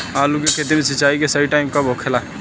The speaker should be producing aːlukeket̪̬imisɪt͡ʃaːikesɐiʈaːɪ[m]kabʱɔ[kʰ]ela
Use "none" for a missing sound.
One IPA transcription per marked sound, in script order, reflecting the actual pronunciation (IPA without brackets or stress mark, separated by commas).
m, kʰ